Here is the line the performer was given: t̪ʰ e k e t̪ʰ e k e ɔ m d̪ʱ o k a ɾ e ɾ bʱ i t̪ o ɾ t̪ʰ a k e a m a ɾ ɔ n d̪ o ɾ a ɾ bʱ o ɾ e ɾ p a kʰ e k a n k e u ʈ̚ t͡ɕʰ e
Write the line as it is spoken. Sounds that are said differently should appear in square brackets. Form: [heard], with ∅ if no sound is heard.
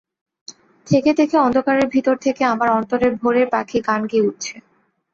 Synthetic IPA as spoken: t̪ʰ e k e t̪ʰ e k e ɔ [n] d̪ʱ o k a ɾ e ɾ bʱ i t̪ o ɾ t̪ʰ [e] k e a m a ɾ ɔ n [t̪] o ɾ [e] ɾ bʱ o ɾ e ɾ p a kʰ [i] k a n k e u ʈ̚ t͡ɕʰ e